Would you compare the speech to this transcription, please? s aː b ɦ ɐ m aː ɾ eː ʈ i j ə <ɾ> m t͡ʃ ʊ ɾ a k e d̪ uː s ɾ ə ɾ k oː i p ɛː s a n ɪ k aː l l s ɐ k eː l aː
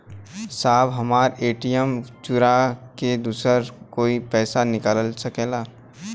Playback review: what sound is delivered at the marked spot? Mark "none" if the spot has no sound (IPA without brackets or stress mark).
none